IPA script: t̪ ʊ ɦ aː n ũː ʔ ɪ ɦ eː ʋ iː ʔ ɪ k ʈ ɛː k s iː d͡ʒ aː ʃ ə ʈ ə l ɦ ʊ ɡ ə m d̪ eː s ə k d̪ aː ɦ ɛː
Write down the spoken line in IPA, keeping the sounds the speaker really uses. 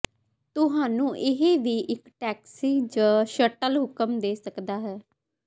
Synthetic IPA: t̪ ʊ ɦ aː n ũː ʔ ɪ ɦ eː ʋ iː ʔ ɪ k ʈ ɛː k s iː d͡ʒ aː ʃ ə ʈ ə l ɦ ʊ k ə m d̪ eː s ə k d̪ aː ɦ ɛː